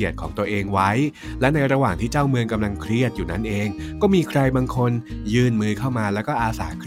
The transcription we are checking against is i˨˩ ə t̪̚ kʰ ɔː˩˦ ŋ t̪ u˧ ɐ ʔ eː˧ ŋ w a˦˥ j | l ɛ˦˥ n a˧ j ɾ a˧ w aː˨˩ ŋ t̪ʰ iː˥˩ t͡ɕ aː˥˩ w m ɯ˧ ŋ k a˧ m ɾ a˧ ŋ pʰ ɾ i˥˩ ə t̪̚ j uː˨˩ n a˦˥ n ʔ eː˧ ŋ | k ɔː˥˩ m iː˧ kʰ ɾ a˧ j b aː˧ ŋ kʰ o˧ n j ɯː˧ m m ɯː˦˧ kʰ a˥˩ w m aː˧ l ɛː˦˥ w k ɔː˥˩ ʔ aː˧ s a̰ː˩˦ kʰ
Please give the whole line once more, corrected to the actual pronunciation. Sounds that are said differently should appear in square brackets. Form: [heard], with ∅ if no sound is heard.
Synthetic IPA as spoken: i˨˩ ə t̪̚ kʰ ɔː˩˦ ŋ t̪ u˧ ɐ ʔ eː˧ ŋ w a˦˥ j | l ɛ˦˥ n a˧ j ɾ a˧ w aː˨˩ ŋ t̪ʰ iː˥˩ t͡ɕ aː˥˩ w m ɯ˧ ŋ k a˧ m [l] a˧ ŋ [kʰ] ɾ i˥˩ ə t̪̚ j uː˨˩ n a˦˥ n ʔ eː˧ ŋ | k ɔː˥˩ m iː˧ kʰ ɾ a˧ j b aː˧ ŋ kʰ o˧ n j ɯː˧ [n] m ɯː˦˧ kʰ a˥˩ w m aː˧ l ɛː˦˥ w k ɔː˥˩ ʔ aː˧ s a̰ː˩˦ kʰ